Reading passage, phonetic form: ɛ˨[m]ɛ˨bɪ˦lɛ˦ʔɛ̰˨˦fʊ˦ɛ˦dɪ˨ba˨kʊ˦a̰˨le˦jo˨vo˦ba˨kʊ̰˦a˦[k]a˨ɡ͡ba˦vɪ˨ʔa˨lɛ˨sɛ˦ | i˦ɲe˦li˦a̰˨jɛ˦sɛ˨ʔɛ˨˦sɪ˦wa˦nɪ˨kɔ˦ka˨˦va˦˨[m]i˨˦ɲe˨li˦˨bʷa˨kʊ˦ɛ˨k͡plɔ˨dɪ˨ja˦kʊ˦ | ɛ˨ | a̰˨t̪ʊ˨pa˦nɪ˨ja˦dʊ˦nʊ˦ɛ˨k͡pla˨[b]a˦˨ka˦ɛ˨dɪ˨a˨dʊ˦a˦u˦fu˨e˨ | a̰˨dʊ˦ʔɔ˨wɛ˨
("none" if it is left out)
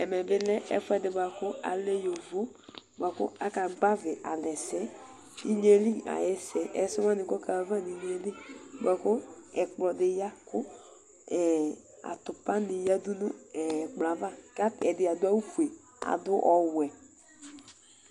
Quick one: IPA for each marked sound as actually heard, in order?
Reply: m, k, n, v

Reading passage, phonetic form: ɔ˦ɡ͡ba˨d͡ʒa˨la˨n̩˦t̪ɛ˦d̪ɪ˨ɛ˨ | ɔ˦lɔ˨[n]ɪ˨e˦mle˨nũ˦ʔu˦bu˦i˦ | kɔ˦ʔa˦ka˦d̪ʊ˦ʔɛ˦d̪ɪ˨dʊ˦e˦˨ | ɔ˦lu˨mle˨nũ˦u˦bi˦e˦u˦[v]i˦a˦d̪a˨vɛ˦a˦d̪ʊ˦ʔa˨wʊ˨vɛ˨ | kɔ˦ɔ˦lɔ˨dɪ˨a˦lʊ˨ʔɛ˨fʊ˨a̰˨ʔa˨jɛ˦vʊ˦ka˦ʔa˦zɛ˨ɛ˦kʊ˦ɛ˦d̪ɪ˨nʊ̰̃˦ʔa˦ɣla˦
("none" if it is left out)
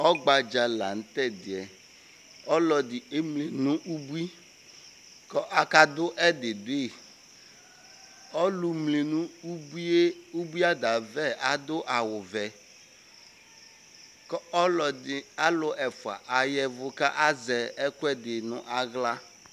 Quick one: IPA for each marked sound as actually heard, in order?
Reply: d, b

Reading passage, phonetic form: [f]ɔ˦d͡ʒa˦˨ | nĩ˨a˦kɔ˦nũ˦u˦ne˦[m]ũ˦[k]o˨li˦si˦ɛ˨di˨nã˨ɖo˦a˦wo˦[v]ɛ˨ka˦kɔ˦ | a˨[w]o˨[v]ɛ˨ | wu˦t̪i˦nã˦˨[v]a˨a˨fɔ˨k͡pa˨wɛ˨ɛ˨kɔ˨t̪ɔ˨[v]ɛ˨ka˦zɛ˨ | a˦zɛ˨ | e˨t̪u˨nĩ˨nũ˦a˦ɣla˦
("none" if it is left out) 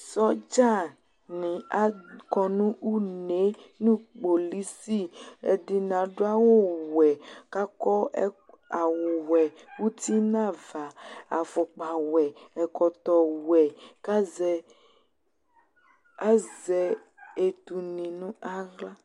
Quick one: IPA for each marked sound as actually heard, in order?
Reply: s, n, k͡p, w, w, w, v, w

